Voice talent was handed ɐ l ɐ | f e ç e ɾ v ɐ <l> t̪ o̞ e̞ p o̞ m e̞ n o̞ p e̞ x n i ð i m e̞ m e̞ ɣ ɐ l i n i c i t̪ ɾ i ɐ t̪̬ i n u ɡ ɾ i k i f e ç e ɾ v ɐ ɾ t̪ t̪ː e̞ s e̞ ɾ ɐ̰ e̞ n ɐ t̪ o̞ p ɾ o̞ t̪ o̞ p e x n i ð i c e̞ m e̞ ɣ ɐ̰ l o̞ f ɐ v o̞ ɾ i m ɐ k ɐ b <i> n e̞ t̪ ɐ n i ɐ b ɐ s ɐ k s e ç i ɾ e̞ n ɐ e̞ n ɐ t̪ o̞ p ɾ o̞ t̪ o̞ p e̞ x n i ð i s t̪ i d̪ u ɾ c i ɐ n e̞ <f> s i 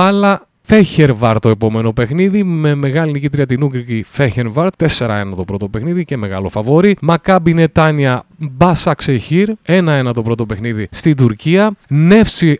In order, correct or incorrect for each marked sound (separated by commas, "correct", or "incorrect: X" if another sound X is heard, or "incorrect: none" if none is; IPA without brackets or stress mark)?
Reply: incorrect: ɾ, correct, correct